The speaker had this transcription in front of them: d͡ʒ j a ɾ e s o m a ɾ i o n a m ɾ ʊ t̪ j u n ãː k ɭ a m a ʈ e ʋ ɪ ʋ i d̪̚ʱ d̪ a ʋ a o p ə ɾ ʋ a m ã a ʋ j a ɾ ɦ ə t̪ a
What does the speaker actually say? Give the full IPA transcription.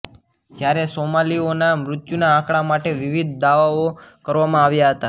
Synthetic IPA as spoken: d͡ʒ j a ɾ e s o m a l i o n a m ɾ ʊ t̪ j u n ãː k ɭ a m a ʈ e ʋ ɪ ʋ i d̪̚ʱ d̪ a ʋ a o k ə ɾ ʋ a m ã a ʋ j a ɦ ə t̪ a